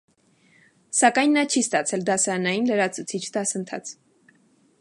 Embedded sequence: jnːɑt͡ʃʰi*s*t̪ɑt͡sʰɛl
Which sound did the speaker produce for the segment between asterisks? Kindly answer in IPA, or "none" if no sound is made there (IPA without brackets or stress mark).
s